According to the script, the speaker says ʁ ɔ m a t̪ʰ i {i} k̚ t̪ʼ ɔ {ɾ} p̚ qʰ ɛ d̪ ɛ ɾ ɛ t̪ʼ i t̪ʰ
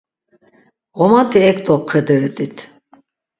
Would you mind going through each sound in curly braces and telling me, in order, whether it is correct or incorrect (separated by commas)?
incorrect, incorrect